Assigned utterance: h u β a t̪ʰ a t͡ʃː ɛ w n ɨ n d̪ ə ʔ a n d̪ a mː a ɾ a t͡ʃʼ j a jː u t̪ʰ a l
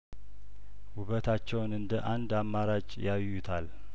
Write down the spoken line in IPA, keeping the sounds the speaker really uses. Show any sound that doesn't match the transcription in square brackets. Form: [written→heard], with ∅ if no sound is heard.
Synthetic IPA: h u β [a→ə] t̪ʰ a t͡ʃː ɛ w n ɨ n d̪ ə ʔ a n d̪ a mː a ɾ a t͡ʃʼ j a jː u t̪ʰ a l